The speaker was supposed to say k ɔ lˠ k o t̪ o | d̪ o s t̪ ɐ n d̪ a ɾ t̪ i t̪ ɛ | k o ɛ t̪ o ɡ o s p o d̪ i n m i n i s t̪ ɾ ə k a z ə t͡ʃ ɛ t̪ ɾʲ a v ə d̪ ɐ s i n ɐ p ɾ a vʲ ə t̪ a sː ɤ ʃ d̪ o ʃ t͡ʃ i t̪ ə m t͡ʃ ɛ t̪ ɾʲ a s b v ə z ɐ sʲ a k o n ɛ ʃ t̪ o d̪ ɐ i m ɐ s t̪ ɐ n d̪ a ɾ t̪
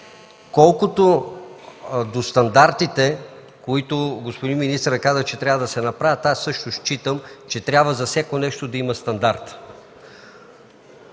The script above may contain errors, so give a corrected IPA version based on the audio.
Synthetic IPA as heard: k ɔ lˠ k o t̪ o | d̪ o s t̪ ɐ n d̪ a ɾ t̪ i t̪ ɛ | k o i t̪ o ɡ o s p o d̪ i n m i n i s t̪ ɾ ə k a z ə t͡ʃ ɛ t̪ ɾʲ a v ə d̪ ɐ s ɛ n ɐ p ɾ a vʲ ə t̪ a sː ɤ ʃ t̪ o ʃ t͡ʃ i t̪ ə m t͡ʃ ɛ t̪ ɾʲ a b v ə z ɐ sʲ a k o n ɛ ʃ t̪ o d̪ ɐ i m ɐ s t̪ ɐ n d̪ a ɾ t̪